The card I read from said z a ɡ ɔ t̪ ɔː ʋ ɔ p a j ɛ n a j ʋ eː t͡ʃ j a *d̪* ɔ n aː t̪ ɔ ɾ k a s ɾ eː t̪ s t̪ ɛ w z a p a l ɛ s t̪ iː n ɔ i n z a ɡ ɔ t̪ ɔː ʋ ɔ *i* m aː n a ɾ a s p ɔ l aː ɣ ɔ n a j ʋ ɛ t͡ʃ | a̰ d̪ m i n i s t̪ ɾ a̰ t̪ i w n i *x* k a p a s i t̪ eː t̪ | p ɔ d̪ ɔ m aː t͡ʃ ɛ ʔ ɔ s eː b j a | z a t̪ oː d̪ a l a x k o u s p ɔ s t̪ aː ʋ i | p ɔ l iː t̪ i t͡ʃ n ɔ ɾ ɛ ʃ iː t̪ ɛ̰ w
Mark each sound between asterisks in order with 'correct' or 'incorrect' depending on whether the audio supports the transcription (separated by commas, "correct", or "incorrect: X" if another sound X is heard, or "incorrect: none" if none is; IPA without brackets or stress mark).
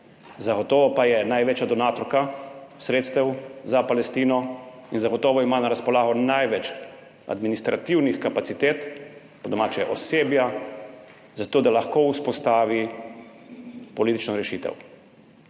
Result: correct, correct, correct